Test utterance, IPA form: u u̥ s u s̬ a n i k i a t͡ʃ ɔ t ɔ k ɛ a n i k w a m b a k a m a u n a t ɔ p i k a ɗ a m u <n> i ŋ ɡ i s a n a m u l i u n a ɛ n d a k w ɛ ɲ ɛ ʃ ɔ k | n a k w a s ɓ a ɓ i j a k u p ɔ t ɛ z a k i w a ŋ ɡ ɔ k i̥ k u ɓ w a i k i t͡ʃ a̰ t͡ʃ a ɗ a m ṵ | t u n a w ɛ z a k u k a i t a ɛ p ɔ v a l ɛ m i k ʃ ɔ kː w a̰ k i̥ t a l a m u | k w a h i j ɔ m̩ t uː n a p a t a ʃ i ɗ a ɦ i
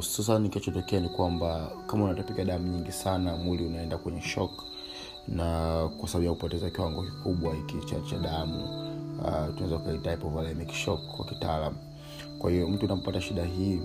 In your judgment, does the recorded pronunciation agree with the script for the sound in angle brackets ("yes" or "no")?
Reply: no